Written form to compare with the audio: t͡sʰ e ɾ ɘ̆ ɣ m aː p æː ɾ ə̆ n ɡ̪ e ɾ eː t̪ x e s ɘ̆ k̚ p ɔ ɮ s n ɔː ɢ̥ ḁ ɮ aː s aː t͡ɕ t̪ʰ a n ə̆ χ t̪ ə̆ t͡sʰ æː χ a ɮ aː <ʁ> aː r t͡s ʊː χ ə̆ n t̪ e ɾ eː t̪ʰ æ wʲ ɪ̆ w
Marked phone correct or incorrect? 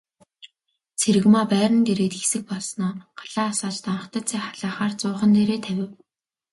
incorrect